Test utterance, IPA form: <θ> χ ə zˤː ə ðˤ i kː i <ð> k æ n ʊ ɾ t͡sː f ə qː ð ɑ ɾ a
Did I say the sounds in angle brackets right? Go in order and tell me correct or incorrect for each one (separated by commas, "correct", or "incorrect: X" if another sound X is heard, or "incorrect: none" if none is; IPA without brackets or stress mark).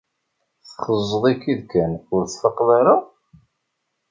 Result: correct, correct